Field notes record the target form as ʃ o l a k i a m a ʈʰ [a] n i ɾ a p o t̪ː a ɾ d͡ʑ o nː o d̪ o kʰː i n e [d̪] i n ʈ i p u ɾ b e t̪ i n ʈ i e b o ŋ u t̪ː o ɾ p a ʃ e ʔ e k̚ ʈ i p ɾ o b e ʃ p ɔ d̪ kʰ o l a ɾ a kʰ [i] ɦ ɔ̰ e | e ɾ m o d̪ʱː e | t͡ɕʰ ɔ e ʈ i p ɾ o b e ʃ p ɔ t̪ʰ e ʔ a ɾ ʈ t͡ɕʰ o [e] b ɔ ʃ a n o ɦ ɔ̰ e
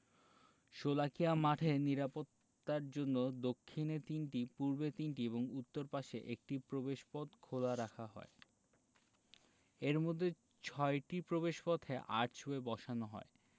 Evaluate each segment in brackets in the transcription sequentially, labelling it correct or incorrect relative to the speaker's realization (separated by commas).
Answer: incorrect, incorrect, incorrect, correct